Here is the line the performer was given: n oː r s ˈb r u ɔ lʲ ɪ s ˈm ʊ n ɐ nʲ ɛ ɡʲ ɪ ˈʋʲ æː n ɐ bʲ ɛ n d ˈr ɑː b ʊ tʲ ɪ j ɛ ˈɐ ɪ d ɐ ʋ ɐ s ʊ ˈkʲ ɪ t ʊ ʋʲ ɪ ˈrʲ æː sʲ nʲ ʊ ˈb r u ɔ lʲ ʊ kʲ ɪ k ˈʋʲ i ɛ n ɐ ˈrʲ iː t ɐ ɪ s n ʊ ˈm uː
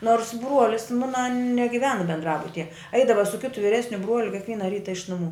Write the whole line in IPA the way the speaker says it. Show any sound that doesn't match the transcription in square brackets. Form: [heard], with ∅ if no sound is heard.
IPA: n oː r s ˈb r u ɔ lʲ ɪ s ˈm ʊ n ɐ nʲ ɛ ɡʲ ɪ ˈʋʲ æː n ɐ bʲ ɛ n d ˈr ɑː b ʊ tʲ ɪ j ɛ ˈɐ ɪ d ɐ ʋ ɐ s ʊ ˈkʲ ɪ t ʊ ʋʲ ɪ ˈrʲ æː sʲ nʲ ʊ ˈb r u ɔ lʲ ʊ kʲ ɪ k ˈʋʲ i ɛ n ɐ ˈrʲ iː t ɐ ɪ [ʃ] n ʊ ˈm uː